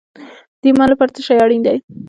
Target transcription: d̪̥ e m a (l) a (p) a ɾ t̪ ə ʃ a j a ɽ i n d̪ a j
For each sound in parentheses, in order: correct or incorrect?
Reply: correct, correct

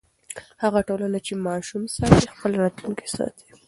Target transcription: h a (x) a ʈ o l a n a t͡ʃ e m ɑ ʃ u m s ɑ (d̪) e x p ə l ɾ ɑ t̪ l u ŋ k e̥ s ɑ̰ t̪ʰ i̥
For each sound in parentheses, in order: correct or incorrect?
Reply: incorrect, incorrect

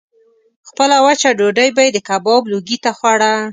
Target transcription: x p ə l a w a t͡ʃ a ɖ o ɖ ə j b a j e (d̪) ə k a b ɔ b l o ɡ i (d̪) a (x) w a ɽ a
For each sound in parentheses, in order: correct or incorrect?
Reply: correct, incorrect, correct

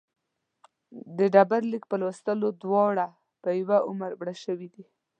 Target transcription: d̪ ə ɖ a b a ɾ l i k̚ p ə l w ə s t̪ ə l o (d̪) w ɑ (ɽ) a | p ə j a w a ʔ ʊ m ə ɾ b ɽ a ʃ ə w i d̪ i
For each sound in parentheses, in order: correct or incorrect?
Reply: correct, correct

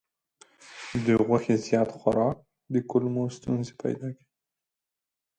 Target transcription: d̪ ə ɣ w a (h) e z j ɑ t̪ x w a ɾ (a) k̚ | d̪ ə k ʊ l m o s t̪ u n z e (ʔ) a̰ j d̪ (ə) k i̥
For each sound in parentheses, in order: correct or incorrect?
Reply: incorrect, incorrect, incorrect, incorrect

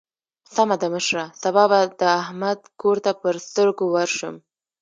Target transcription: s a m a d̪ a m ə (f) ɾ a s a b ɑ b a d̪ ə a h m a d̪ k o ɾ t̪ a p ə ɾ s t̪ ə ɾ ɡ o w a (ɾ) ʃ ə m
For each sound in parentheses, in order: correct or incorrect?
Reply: incorrect, correct

